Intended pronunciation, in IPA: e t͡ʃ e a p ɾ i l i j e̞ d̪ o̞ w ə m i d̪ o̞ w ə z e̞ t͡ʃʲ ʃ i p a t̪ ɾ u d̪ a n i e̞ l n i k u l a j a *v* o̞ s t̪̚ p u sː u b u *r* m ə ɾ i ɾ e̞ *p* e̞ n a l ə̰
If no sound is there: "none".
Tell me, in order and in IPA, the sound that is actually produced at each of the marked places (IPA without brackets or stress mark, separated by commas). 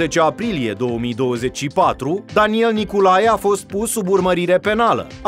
f, r, p